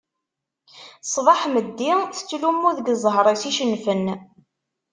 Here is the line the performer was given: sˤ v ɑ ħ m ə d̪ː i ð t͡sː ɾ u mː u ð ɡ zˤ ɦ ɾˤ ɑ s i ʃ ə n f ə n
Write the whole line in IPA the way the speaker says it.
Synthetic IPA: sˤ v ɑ ħ m ə d̪ː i θ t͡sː l u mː u ð ɡ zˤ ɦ ɾˤ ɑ s i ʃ ə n f ə n